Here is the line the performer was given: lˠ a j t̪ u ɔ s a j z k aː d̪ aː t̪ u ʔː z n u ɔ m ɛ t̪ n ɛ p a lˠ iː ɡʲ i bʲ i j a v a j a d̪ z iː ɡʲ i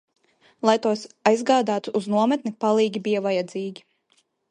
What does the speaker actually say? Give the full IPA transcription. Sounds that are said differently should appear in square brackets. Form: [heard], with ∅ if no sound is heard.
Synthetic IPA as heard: lˠ a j t̪ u ɔ s a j z [ɡ] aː d̪ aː t̪ u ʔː z n u ɔ m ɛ t̪ n [i] p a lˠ iː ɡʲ i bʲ i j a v a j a d̪ z iː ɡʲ i

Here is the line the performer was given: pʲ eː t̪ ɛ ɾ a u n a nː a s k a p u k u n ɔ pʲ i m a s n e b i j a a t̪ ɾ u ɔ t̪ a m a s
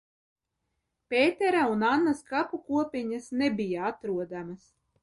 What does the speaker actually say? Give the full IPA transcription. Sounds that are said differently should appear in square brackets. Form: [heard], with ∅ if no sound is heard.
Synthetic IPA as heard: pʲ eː t̪ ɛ ɾ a u n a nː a s k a p u k u [∅] ɔ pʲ i [ɲ] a s n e b i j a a t̪ ɾ u ɔ [d̪] a m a s

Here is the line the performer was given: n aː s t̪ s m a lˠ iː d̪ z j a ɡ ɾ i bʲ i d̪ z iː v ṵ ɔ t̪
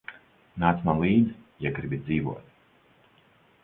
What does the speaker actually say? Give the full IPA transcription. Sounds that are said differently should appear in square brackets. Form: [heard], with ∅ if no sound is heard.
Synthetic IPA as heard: n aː [∅] t̪ s m a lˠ iː d̪ z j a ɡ ɾ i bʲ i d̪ z iː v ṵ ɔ t̪

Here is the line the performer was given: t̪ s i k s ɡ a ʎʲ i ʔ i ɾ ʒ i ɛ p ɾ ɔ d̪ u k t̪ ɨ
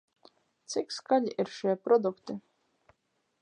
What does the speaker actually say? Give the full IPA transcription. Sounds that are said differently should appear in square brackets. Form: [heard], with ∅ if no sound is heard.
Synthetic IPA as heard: t̪ s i k s [k] a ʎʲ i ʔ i ɾ [ʃ] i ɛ p ɾ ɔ d̪ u k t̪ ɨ

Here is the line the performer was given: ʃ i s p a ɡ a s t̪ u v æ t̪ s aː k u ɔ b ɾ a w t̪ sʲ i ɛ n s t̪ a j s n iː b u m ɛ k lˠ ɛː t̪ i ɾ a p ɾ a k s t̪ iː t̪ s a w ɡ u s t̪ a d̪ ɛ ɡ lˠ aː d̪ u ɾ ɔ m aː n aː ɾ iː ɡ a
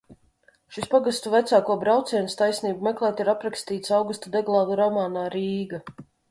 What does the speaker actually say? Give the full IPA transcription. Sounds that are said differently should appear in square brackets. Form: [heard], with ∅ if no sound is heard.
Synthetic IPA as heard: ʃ i s p a ɡ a s t̪ u v æ t̪ s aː k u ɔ b ɾ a w t̪ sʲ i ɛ n s t̪ a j s n iː b u m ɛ k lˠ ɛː t̪ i ɾ a p ɾ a k s t̪ iː t̪ s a w ɡ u s t̪ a d̪ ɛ ɡ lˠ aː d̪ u ɾ ɔ m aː n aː ɾ iː ɡ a

